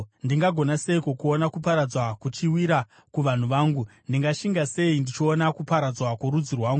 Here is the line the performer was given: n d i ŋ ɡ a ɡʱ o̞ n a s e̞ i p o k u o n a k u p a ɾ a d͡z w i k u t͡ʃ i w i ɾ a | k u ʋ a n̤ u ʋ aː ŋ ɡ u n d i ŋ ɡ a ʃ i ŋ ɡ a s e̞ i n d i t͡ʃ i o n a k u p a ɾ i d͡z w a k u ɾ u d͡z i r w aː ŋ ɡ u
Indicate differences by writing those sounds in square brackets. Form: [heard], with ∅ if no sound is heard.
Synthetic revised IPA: n d i ŋ ɡ a ɡʱ o̞ n a s e̞ i [k] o k u o n a k u p a ɾ a d͡z w [a] k u t͡ʃ i w i ɾ a | k u ʋ a n̤ u ʋ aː ŋ ɡ u n d i ŋ ɡ a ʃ i ŋ ɡ a s e̞ i n d i t͡ʃ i o n a k u p a ɾ [a] d͡z w a k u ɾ u d͡z i r w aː ŋ ɡ u